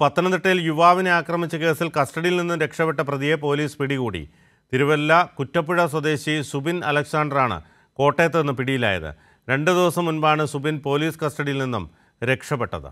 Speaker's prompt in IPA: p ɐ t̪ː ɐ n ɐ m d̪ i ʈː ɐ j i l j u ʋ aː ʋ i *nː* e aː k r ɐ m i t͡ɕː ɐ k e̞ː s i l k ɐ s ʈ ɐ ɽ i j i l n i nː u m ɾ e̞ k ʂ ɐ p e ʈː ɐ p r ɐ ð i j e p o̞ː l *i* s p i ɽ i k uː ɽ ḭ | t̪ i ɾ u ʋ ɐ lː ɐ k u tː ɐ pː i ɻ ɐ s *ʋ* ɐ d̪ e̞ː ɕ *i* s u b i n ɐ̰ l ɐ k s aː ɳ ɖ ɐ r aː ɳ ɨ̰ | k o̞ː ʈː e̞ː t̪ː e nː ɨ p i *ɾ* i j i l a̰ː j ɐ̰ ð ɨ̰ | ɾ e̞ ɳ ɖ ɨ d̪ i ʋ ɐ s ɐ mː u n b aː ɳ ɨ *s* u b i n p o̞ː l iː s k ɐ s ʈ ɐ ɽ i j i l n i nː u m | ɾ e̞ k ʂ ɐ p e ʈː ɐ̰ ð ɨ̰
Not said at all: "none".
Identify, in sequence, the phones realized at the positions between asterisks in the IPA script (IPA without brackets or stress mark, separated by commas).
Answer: n, iː, w, i, ɽ, s